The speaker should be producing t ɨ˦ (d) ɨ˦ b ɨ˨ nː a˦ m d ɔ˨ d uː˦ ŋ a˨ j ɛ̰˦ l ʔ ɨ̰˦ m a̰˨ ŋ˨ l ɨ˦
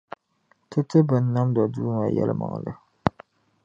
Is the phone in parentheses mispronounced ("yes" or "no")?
yes